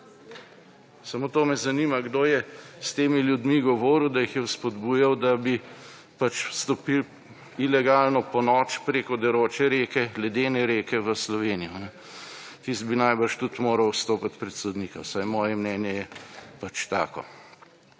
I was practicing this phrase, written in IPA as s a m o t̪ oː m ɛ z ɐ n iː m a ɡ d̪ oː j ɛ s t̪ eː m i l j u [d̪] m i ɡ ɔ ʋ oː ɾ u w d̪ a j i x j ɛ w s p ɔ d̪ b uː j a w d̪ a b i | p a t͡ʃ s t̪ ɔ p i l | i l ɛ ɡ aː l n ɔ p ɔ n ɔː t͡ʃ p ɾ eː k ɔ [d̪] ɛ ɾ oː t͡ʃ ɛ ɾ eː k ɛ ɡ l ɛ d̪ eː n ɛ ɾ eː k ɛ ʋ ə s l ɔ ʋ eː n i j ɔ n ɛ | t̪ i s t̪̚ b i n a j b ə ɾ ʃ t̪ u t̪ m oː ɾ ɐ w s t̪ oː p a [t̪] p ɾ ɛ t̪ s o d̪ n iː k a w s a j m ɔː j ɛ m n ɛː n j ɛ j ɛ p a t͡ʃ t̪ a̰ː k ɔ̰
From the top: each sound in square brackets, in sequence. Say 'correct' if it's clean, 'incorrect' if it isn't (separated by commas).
correct, correct, correct